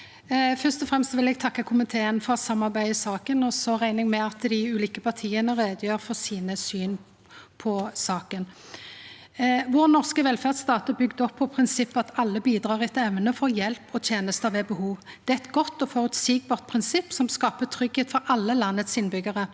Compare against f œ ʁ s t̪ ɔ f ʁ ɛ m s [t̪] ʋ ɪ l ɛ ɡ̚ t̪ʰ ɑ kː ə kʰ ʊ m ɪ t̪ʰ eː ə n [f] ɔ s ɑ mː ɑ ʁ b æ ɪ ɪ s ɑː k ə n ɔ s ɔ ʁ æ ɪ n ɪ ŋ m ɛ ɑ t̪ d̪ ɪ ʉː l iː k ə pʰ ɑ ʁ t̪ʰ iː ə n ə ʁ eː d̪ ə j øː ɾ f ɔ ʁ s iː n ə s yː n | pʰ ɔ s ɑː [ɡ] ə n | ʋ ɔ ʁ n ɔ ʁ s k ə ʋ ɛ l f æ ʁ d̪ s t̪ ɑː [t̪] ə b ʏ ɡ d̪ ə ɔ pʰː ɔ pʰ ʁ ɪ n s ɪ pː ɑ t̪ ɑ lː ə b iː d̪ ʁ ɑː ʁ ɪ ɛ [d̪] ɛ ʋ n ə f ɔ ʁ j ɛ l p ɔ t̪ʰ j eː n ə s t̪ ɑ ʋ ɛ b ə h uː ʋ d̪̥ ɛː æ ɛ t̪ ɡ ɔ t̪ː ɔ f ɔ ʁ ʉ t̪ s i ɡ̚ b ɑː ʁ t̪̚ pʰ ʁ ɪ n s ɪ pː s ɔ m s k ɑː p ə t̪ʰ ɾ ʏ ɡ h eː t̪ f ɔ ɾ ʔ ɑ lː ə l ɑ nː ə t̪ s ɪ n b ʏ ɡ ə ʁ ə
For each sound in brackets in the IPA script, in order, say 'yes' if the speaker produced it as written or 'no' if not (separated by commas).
yes, yes, no, yes, no